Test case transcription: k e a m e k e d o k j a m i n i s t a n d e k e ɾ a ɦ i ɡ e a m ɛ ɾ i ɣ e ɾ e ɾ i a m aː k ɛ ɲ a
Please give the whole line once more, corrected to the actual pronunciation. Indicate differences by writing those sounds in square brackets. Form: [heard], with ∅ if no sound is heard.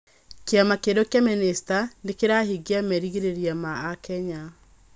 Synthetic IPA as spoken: k e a m [a] k e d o k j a m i n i s t a n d e k e ɾ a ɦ i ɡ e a m ɛ ɾ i ɣ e ɾ e ɾ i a m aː k ɛ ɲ a